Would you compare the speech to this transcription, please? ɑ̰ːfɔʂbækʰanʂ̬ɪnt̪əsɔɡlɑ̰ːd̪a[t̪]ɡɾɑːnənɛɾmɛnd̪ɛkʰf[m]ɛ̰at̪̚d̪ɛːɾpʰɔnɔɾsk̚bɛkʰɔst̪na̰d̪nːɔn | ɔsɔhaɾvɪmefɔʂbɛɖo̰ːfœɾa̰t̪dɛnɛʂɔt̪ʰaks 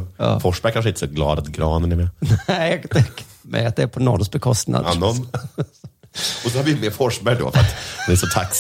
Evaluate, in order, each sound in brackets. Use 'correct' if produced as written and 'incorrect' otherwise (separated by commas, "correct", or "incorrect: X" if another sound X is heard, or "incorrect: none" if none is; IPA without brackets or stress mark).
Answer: correct, correct